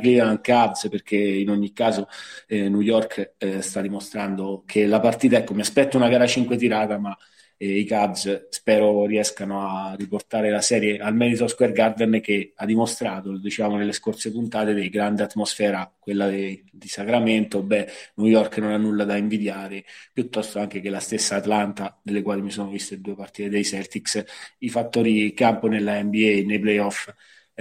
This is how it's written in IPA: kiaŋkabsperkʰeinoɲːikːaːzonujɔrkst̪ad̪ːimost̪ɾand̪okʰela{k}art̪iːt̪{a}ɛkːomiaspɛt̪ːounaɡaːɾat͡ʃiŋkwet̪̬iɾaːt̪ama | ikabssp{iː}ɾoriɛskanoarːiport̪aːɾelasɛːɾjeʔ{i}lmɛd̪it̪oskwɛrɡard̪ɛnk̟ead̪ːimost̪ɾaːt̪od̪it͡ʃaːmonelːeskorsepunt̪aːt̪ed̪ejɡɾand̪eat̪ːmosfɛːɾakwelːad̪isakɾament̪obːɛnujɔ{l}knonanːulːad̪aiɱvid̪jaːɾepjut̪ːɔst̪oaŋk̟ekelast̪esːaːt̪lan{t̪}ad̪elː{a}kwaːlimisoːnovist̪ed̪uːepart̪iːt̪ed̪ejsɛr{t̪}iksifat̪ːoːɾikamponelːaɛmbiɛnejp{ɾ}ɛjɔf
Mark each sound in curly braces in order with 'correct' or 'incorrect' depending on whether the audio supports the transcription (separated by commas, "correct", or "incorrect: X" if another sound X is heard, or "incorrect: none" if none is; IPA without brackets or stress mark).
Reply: incorrect: p, correct, incorrect: ɛː, incorrect: a, incorrect: r, correct, incorrect: e, correct, incorrect: l